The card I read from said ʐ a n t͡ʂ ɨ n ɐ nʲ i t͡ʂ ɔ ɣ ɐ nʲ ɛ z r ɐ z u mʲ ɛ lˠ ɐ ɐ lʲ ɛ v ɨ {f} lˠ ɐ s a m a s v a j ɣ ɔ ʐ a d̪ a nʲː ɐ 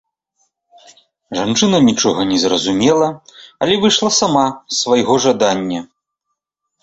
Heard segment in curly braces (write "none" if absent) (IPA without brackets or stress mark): ʂ